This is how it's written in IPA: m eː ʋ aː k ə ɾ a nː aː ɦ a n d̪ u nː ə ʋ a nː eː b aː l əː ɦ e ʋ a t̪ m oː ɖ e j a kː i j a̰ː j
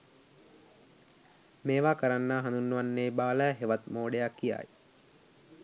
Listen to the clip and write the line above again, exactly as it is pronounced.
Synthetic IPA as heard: m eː ʋ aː k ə ɾ a nː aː ɦ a n d̪ u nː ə ʋ a nː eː b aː l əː ɦ e ʋ a t̪ m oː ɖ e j a kː i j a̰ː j